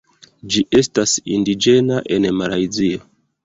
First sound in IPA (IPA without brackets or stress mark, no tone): d͡ʒ